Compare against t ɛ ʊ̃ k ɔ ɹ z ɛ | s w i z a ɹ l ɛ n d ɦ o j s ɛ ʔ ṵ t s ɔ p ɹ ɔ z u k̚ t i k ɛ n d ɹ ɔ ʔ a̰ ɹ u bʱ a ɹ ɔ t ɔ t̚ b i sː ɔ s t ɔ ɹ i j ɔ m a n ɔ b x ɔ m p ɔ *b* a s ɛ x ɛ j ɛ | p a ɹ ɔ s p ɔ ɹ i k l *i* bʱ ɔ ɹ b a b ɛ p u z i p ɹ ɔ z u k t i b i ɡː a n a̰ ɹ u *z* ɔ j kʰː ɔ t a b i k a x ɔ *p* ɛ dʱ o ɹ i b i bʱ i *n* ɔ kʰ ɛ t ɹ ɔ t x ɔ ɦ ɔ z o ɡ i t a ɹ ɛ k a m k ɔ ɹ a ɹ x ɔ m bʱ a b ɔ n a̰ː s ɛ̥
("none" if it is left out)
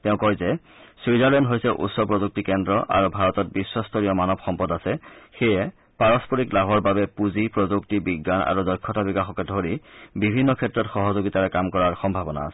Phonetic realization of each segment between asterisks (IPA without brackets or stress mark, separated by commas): d, a, z, k, nː